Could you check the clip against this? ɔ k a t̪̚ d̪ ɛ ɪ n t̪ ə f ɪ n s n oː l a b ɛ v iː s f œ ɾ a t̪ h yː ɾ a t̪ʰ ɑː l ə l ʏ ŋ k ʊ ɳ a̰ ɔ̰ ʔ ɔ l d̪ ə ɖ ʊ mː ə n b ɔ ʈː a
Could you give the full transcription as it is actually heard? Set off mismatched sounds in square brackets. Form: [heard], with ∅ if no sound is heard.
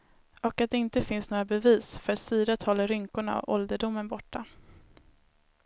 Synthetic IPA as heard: ɔ k a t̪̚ d̪ ɛ ɪ n t̪ ə f ɪ n s n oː [ɾ] a b ɛ v iː s f œ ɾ a t̪ [s] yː ɾ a t̪ʰ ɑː l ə [ɾ] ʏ ŋ k ʊ ɳ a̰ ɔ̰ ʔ ɔ l d̪ ə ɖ ʊ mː ə n b ɔ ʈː a